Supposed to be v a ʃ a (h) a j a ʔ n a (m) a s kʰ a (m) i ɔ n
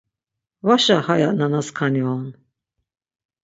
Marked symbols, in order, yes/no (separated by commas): yes, no, no